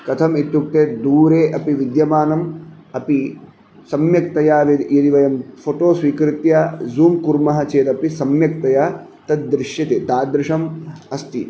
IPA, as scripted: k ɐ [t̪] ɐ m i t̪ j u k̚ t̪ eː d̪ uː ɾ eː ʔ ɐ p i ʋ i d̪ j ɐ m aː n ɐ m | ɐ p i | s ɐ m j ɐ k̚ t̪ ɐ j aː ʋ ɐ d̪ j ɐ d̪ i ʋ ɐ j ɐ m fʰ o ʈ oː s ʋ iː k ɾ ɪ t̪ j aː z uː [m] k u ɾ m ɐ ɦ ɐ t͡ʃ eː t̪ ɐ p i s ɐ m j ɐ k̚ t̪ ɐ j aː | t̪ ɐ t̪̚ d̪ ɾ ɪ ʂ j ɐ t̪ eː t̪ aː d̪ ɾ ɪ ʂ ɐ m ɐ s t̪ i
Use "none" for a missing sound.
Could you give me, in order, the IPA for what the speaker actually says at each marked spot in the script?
t̪ʰ, m

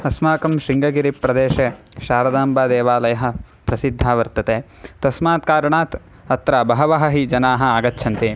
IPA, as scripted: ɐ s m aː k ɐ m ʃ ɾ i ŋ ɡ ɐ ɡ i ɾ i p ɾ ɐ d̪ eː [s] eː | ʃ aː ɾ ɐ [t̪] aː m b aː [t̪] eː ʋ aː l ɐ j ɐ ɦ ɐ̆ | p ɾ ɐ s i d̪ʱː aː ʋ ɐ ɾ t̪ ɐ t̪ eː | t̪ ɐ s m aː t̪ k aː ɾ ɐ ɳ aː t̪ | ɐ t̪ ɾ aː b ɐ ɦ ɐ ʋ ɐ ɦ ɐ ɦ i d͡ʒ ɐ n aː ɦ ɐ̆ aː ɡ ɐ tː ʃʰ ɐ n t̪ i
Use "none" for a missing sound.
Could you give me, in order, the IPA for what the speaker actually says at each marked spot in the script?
ʃ, d̪, d̪

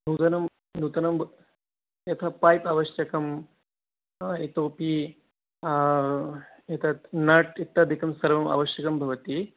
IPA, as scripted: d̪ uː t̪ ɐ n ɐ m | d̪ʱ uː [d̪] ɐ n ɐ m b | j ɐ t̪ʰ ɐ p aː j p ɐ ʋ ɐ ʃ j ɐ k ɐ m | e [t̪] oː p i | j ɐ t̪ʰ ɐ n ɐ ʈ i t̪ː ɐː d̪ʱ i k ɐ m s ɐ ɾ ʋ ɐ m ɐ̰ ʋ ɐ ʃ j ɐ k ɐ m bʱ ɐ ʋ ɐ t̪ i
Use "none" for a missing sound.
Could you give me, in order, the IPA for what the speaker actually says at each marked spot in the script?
t̪, t̪

